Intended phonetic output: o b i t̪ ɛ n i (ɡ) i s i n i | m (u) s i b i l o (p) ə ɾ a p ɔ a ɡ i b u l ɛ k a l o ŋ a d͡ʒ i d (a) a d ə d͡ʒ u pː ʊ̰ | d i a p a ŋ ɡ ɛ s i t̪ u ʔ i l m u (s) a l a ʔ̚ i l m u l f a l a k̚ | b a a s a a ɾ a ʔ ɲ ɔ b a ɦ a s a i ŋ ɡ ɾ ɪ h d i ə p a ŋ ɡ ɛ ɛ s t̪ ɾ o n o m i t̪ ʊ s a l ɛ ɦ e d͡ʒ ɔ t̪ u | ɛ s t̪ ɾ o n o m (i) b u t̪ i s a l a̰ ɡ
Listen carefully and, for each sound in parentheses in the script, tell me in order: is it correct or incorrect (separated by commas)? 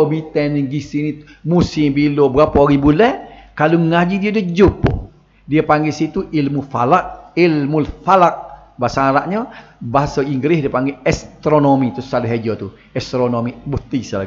correct, correct, incorrect, incorrect, incorrect, correct